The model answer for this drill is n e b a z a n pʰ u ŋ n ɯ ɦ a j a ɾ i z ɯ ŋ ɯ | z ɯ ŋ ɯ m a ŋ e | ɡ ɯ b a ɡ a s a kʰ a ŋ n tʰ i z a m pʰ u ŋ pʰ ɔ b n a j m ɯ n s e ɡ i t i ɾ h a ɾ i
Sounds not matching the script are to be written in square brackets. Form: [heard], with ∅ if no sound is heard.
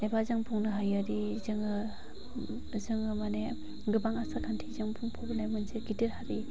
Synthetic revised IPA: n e b a z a [ŋ] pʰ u ŋ n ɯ ɦ a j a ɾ i z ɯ ŋ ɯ | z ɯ ŋ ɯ m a [n] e | ɡ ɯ b a [ŋ] a s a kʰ a [∅] n tʰ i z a [ŋ] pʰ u ŋ pʰ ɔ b n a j m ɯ n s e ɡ i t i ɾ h a ɾ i